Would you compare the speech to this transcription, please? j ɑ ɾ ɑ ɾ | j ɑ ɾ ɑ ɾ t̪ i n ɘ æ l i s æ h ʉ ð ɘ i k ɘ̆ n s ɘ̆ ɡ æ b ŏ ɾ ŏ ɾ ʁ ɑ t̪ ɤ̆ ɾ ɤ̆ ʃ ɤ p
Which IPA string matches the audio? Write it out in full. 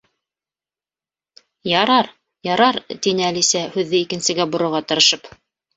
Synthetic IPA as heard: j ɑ ɾ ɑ ɾ | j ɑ ɾ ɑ ɾ t̪ i n ɘ æ l i s æ h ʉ ðː ɘ i k ɘ̆ n s ɘ̆ ɡ æ b ŏ ɾ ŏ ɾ ʁ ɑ t̪ ɤ̆ ɾ ɤ̆ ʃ ɤ p